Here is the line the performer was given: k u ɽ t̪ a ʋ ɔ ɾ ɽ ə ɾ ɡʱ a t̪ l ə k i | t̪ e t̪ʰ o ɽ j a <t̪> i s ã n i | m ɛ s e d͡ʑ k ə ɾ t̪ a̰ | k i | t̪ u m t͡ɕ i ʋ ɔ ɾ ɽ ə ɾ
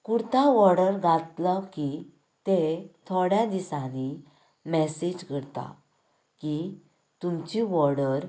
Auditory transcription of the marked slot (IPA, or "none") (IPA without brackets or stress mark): d̪